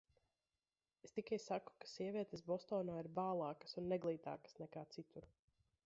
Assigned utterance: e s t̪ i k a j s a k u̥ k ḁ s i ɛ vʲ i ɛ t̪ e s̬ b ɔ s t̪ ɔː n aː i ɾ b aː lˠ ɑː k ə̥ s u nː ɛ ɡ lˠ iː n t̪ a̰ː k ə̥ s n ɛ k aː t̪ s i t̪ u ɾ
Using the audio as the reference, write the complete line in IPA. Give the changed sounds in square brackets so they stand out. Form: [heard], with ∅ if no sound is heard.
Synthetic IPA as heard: e s t̪ i k a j s a k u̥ k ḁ s i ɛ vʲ i ɛ t̪ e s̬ b ɔ s t̪ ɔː n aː i ɾ b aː lˠ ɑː k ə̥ s u nː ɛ ɡ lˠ iː [∅] t̪ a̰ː k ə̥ s n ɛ k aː t̪ s i t̪ u ɾ